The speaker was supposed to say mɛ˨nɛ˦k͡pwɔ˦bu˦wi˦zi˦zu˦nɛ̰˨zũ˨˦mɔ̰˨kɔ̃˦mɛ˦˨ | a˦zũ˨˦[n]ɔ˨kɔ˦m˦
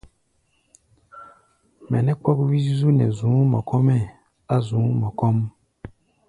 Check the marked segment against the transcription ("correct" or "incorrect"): incorrect